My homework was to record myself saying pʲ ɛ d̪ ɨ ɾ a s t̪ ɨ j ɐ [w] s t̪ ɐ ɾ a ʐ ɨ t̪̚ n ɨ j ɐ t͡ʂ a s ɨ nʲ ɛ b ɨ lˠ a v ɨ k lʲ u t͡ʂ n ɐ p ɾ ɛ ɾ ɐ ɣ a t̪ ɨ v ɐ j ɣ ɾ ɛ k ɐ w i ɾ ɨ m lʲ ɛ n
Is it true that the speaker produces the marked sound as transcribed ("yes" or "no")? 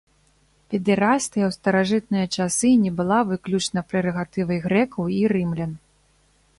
yes